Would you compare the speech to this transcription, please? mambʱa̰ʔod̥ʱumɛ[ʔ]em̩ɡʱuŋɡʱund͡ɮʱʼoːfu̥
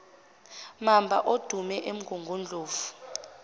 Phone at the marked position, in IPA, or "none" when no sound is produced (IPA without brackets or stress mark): ʔ